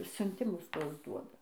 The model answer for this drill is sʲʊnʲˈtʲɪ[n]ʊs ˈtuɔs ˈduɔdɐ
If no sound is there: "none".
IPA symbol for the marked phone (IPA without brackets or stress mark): m